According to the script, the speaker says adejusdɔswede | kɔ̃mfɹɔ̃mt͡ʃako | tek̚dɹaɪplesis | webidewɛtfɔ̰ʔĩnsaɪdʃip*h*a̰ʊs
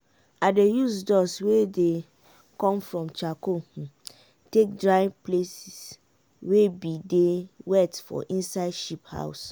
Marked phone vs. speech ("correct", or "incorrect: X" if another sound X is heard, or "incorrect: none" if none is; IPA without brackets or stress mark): correct